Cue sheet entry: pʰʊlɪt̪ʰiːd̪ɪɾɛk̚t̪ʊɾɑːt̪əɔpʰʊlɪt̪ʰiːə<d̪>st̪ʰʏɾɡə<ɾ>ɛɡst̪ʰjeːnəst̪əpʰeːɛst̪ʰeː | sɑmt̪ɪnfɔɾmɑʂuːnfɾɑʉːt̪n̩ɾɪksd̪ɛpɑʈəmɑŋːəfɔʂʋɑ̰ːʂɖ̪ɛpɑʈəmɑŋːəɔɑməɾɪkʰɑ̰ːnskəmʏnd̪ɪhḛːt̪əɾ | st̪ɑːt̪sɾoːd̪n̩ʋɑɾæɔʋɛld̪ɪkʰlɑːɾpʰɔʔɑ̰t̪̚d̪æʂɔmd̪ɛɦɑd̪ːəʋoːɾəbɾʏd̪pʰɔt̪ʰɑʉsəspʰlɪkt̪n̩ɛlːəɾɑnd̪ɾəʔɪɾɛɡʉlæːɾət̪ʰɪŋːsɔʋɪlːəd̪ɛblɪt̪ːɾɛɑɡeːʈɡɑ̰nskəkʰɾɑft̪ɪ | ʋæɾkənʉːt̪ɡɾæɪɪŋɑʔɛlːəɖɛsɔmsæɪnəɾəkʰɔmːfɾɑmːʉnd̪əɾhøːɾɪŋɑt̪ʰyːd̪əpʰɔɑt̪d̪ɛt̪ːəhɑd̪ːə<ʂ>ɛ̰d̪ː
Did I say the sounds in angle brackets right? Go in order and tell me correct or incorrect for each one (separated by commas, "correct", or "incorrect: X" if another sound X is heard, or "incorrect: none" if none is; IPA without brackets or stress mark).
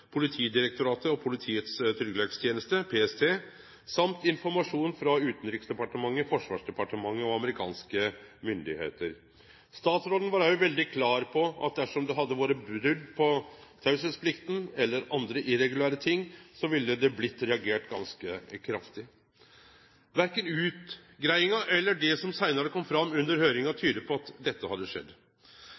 incorrect: t̪, incorrect: l, correct